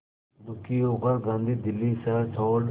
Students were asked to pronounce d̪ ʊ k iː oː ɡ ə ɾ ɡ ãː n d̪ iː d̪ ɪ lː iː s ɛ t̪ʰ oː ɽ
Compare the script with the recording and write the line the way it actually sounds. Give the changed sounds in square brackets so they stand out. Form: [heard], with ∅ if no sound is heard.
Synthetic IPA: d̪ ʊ k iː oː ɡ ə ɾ ɡ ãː n d̪ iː d̪ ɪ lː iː s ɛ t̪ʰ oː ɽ